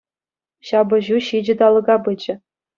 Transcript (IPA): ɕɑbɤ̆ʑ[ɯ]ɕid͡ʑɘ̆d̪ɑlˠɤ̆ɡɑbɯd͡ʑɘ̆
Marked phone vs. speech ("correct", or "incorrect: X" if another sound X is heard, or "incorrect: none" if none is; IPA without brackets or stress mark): incorrect: u